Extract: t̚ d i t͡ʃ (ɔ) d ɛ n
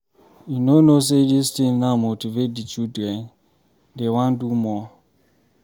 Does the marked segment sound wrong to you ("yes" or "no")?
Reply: yes